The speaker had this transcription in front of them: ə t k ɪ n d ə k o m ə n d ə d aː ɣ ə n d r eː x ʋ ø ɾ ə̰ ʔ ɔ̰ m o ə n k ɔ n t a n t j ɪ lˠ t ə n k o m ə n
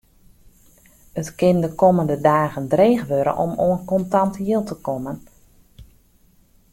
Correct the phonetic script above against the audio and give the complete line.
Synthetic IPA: ə t k ɪ n d ə k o m ə n d ə d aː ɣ ə n d r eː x ʋ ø ɾ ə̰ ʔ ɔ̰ m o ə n k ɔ n t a n t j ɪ lˠ t ə k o m ə n

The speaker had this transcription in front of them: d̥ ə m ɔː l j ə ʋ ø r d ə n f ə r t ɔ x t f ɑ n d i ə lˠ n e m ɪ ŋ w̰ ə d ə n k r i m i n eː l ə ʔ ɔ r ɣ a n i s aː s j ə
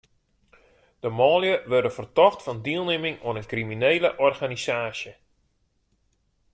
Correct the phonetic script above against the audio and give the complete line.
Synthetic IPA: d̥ ə m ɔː l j ə ʋ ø r d ə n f ə r t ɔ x t f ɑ n d i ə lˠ n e m ɪ ŋ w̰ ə n ə n k r i m i n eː l ə ʔ ɔ r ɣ a n i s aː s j ə

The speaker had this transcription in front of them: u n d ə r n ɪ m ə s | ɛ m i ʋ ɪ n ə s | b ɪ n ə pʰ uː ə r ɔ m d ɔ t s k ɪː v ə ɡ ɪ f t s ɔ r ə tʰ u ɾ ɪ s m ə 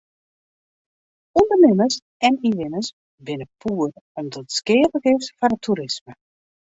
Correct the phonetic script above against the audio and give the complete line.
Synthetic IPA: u n d ə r n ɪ m ə s | ɛ n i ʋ ɪ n ə s | b ɪ n ə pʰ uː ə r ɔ m d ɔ t s k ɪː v ə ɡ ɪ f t f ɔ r ə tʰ u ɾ ɪ s m ə

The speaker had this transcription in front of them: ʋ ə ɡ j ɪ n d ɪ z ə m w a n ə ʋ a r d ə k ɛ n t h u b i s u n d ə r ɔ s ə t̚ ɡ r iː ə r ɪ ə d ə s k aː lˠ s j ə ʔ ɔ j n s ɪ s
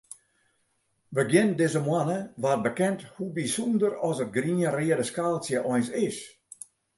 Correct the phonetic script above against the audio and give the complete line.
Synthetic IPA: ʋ ə ɡ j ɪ n d ɪ z ə m w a n ə ʋ a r b ə k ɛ n t h u b i s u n d ə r ɔ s ə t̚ ɡ r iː ə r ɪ ə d ə s k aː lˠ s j ə ʔ ɔ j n s ɪ s

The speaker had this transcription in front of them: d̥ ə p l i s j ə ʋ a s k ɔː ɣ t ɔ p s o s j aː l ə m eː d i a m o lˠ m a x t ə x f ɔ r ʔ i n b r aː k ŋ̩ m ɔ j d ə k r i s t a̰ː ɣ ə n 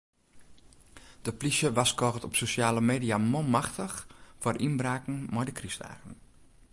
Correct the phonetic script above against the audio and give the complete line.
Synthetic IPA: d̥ ə p l i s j ə ʋ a s k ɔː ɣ t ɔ p s o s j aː l ə m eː d i a m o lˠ m a x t ə x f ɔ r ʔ i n b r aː k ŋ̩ m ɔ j d ə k r i s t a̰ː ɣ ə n

